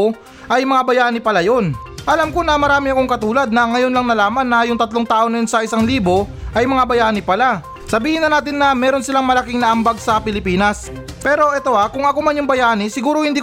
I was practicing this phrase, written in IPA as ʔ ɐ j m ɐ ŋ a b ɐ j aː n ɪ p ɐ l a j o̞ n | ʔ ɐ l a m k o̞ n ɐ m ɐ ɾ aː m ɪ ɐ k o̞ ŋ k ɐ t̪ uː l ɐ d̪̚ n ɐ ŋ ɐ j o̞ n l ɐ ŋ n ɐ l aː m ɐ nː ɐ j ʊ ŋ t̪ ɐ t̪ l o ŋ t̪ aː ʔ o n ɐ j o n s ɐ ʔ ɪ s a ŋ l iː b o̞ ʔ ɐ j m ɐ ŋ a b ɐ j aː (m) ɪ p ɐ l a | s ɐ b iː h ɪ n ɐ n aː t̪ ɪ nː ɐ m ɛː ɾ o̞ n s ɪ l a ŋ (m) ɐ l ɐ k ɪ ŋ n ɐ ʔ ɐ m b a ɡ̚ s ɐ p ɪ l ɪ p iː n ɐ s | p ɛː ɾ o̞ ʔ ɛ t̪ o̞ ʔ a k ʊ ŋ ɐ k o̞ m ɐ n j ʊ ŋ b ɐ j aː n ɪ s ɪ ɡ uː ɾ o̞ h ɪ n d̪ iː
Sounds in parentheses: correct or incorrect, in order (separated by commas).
incorrect, correct